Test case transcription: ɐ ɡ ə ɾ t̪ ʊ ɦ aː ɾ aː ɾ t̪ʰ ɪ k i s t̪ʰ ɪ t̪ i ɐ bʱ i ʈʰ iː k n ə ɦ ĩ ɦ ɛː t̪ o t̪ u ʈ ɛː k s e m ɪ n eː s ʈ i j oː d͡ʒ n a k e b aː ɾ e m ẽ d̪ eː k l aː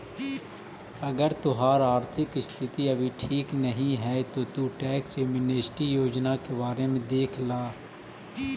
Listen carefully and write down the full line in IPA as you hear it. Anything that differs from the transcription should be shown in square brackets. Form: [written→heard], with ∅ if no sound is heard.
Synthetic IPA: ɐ ɡ ə ɾ t̪ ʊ ɦ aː ɾ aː ɾ t̪ʰ ɪ k [i→ɪ] s t̪ʰ ɪ t̪ i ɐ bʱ i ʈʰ iː k n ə ɦ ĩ ɦ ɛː t̪ o t̪ u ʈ ɛː k s e m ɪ n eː s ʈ i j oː d͡ʒ n a k e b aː ɾ e m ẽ d̪ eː [k→kʰ] l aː